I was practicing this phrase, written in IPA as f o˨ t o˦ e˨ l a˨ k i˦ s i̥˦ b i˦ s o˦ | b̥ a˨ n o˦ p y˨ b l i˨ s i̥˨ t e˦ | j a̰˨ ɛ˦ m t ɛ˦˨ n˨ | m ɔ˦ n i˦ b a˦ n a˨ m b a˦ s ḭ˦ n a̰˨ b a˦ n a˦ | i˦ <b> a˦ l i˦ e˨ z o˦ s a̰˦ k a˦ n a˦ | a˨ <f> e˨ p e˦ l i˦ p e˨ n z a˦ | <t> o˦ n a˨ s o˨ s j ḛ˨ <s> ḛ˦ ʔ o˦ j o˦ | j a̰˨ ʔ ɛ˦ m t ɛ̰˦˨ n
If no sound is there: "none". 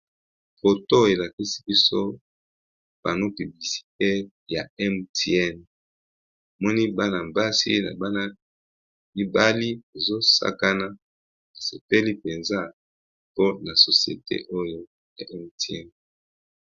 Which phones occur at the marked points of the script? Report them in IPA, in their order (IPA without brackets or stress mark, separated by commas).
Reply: b, s, p, t